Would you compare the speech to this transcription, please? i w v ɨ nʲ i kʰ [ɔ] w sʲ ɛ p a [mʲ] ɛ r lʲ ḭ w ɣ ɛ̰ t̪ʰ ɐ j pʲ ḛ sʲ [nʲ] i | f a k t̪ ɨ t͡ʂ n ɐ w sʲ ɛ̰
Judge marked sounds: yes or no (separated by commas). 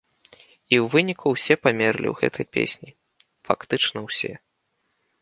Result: no, yes, yes